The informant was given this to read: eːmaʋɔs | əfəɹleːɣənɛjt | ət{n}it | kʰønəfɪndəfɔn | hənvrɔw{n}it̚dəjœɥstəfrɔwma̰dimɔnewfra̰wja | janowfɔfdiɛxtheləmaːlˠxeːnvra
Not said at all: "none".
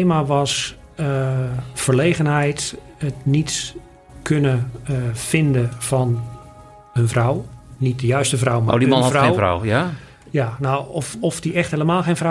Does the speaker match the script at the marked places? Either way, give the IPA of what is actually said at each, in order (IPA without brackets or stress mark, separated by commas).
n, n